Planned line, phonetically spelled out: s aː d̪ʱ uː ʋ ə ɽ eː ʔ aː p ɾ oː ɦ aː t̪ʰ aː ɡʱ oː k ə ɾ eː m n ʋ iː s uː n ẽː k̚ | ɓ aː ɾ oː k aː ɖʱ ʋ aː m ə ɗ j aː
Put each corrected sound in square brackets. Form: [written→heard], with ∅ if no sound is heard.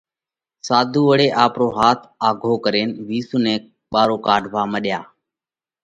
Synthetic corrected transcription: s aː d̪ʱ uː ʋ ə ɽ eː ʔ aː p ɾ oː ɦ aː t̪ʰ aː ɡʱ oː k ə ɾ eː [m→∅] n ʋ iː s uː n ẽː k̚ | ɓ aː ɾ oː k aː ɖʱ ʋ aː m ə ɗ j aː